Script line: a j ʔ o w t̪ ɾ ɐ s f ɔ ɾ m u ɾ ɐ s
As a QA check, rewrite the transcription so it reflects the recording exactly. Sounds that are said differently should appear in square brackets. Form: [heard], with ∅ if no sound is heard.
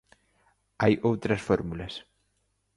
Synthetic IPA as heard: a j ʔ o w t̪ ɾ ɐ s f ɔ ɾ m u [l] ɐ s

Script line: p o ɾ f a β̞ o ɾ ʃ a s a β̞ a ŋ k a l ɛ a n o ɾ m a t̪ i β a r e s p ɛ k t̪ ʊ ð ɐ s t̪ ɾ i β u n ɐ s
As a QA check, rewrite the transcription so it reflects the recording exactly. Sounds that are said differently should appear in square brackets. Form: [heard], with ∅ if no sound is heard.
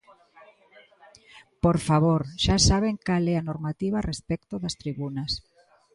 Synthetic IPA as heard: p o ɾ f a β̞ o ɾ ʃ a s a β̞ [e] ŋ k a l ɛ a n o ɾ m a t̪ i β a r e s p ɛ k t̪ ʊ ð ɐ s t̪ ɾ i β u n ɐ s

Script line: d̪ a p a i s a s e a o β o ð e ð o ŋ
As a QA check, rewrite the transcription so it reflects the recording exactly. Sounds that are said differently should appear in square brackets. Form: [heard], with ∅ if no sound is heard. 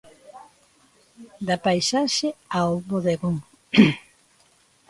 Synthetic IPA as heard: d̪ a p a [j] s a [ʃ] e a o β o ð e [ɣ] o ŋ

